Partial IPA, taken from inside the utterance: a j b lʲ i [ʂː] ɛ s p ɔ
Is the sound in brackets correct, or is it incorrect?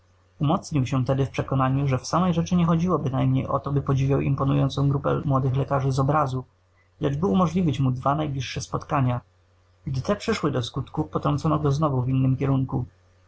correct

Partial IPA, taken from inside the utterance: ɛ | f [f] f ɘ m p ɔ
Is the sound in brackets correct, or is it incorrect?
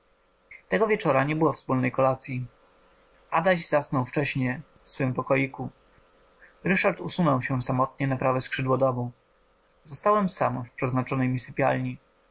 incorrect: s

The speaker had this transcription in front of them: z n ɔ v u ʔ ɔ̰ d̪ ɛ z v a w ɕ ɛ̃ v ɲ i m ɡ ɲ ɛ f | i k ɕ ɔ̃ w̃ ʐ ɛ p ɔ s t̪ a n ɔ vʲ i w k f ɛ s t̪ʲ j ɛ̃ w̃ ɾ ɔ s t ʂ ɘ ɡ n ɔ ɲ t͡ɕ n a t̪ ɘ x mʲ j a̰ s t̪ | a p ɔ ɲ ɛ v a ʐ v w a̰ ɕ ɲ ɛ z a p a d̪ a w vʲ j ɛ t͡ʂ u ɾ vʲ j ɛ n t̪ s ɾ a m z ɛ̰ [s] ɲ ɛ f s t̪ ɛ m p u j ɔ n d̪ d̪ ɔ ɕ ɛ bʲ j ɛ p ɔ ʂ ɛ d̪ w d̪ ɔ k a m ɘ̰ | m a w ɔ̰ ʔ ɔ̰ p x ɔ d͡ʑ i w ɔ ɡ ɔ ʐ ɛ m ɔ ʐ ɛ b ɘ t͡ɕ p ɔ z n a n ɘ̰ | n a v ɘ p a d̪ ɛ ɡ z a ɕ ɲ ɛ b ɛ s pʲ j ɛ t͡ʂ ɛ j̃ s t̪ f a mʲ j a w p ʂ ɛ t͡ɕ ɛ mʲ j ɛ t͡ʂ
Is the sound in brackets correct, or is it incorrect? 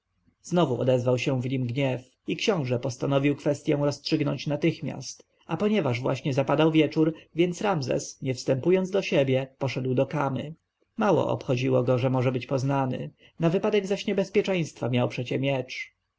correct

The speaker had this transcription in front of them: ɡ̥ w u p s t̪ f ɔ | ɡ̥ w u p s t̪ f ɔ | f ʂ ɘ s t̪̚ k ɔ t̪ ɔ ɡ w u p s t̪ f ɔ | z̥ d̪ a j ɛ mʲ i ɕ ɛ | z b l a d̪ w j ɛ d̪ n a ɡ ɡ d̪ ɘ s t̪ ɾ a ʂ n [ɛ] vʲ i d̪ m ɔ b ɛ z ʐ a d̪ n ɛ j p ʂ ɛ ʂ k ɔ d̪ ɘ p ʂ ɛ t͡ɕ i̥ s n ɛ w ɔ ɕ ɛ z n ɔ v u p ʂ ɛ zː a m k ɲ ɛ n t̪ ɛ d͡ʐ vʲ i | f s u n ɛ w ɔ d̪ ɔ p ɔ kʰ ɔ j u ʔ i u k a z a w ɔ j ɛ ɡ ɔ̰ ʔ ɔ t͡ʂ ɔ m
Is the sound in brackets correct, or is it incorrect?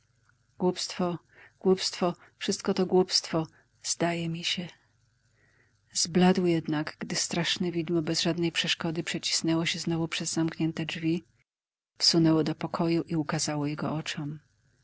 correct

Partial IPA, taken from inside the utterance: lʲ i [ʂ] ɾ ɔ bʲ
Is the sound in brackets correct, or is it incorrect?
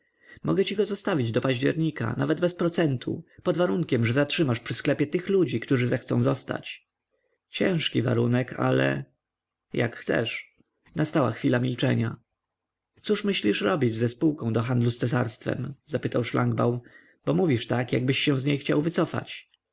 correct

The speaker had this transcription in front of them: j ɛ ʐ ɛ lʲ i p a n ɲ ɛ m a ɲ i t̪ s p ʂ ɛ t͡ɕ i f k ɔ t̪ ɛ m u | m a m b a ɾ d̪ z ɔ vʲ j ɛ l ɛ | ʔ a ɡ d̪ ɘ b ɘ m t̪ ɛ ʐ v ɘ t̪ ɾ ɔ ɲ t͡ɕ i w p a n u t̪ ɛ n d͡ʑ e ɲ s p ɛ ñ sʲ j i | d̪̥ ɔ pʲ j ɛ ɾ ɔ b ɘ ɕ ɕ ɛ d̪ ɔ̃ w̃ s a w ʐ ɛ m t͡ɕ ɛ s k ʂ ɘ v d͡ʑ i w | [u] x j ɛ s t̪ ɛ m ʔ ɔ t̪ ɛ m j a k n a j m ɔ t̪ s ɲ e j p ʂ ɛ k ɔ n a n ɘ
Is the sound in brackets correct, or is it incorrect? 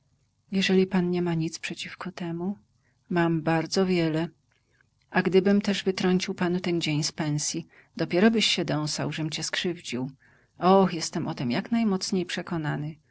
incorrect: ɔ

